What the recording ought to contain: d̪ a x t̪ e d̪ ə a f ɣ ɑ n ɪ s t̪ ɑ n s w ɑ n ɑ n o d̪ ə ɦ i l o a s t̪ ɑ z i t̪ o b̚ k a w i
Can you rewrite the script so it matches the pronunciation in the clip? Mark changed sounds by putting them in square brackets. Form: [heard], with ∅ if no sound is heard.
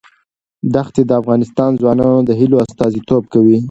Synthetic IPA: d̪ a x t̪ e d̪ ə a f ɣ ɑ n ɪ s t̪ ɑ n [z] w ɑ n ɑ n o d̪ ə ɦ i l o a s t̪ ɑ z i t̪ o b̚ k a w i